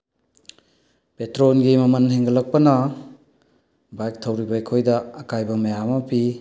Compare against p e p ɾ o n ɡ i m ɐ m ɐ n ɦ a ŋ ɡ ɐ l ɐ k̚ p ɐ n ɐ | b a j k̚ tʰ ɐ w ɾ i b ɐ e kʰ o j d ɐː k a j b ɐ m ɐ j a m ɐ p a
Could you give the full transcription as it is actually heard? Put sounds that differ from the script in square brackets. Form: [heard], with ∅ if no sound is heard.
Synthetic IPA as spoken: p e [t] ɾ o n ɡ i m ɐ m ɐ n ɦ [e] ŋ ɡ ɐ l ɐ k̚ p ɐ n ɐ | b a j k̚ tʰ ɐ w ɾ i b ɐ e kʰ o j d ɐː k a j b ɐ m ɐ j a m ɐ p [i]